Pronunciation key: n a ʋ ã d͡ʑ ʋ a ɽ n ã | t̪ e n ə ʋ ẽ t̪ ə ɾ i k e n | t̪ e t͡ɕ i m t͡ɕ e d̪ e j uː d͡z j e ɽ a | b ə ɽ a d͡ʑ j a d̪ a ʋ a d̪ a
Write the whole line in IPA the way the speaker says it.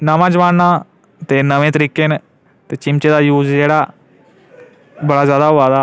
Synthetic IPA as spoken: n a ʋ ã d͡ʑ ʋ a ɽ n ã | t̪ e n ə ʋ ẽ t̪ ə ɾ i k e n | t̪ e t͡ɕ i m t͡ɕ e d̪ a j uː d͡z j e ɽ a | b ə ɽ a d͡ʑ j a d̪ a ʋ a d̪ a